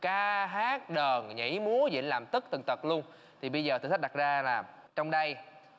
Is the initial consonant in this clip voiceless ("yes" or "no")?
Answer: yes